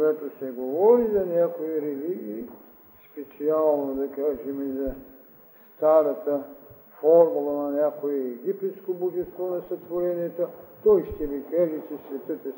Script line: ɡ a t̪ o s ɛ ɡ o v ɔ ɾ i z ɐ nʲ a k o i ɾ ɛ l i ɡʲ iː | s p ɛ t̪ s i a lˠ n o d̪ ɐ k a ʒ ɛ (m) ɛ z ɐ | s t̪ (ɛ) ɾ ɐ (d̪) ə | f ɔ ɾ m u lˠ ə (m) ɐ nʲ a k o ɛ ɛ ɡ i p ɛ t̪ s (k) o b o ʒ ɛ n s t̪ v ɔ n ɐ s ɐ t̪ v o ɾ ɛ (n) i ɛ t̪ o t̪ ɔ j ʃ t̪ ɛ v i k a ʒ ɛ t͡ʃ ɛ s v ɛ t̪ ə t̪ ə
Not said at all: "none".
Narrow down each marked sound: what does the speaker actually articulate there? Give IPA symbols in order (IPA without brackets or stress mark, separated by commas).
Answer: m, a, t̪, n, k, n